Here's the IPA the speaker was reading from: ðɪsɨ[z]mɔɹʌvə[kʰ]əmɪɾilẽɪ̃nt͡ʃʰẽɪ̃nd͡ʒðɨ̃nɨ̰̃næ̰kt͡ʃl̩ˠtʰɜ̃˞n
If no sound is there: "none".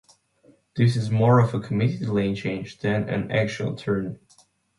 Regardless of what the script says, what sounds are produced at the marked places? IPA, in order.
z, kʰ

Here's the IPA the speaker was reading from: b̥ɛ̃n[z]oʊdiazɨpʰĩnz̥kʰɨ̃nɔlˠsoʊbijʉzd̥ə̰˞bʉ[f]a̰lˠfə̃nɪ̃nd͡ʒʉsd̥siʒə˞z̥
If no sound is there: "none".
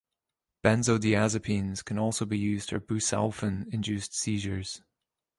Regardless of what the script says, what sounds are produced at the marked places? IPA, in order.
z, s

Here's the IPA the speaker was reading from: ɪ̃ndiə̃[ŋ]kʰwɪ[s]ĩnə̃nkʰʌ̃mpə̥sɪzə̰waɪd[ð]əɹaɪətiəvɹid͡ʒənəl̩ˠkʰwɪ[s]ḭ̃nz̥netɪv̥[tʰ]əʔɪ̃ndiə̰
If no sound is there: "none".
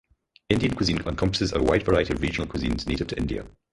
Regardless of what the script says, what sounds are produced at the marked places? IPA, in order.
n, z, v, z, tʰ

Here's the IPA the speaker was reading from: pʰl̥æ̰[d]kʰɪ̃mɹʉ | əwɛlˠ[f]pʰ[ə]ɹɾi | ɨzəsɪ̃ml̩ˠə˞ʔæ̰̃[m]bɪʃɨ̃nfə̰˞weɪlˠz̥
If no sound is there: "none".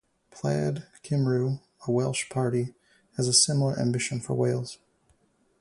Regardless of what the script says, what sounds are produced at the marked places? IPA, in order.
d, ʃ, ɑ, m

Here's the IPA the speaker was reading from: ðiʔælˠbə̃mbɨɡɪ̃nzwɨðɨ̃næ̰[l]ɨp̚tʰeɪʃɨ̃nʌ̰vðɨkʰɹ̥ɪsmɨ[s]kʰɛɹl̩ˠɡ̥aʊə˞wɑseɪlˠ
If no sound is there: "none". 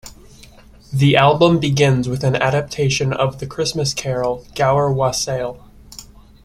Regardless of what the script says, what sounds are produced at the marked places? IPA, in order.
ɾ, s

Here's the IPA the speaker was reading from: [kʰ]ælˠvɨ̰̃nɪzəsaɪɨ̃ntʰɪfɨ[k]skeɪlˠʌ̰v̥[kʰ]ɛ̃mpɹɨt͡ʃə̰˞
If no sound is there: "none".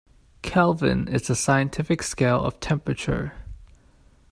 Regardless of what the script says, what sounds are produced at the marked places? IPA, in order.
kʰ, k, tʰ

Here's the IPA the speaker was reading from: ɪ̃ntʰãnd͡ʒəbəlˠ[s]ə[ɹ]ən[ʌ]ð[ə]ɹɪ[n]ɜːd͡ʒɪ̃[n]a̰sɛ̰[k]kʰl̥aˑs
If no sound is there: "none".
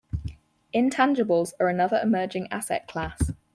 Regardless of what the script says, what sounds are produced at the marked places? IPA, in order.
z, ɹ, ʌ, ə, m, ŋ, ʔ

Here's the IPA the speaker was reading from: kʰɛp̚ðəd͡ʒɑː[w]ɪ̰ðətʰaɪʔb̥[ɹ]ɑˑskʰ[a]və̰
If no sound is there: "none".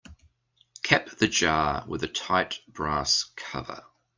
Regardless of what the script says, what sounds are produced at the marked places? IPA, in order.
w, ɹ, ʌ

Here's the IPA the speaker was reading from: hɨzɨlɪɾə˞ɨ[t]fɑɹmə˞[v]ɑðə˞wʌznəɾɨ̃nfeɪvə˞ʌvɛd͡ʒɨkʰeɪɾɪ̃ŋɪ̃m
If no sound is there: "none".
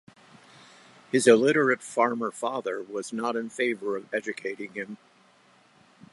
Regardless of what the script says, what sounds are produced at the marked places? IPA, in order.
t, f

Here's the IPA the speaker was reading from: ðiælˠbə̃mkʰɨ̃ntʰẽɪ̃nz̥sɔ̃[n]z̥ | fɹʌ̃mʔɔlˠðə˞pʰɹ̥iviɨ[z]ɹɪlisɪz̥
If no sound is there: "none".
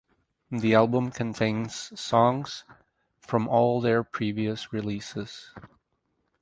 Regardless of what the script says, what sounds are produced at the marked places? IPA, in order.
ŋ, s

